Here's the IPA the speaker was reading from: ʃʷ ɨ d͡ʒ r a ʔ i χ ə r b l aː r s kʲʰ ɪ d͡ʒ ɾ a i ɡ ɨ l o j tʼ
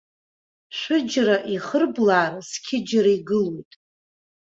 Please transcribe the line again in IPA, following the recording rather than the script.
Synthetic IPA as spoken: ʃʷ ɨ d͡ʒ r a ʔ i χ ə r b l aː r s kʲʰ ɪ d͡ʒ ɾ a i ɡ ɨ l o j tʼ